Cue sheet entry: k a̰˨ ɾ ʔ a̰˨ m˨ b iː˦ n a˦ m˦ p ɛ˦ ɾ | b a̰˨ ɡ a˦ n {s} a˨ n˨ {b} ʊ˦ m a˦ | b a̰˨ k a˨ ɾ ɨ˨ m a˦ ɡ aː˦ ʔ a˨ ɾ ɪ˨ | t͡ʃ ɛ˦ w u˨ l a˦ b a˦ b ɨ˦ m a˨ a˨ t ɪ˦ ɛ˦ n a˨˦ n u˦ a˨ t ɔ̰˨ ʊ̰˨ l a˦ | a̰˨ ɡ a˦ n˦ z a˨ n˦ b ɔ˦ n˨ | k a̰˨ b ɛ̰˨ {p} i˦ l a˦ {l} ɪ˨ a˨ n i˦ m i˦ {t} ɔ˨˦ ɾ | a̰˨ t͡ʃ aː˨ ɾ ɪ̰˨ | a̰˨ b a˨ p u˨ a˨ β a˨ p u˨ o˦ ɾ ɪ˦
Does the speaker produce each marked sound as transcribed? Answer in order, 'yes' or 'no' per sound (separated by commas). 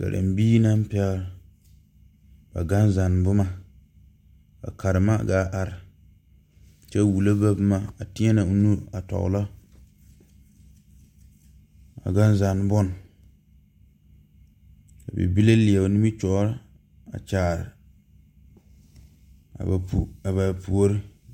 no, yes, no, yes, no